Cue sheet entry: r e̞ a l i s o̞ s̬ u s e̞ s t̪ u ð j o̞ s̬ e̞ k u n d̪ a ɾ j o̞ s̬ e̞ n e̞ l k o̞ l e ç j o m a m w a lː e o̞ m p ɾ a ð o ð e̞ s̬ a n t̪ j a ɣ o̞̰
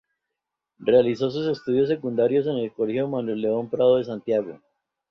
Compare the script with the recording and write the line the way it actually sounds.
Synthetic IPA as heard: r e̞ a l i s o̞ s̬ u s e̞ s t̪ u ð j o̞ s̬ e̞ k u n d̪ a ɾ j o̞ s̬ e̞ n e̞ l k o̞ l e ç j o m a n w e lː e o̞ m p ɾ a ð o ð e̞ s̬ a n t̪ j a ɣ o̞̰